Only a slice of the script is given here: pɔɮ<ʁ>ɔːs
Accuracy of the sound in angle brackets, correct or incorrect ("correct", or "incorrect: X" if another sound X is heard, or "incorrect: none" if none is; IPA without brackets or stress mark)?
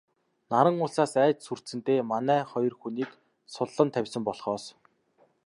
incorrect: χ